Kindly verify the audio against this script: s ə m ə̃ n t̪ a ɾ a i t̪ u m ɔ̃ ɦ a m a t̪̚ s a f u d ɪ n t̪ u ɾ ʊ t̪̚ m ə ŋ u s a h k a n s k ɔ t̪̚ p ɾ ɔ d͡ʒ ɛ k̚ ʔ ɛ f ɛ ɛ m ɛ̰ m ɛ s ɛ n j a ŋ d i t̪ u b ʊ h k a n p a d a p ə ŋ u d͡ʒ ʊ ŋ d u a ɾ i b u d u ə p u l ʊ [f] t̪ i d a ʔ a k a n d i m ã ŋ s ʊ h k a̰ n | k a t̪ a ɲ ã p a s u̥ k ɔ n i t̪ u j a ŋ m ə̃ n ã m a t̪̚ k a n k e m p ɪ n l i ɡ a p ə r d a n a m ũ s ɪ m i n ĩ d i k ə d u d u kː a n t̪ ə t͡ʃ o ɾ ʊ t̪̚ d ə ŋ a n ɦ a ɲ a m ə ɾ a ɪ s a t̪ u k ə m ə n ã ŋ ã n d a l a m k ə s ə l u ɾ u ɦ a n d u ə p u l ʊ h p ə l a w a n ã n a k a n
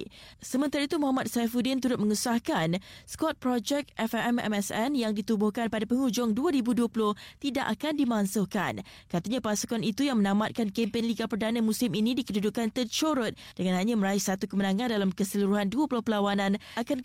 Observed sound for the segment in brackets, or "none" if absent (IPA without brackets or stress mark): h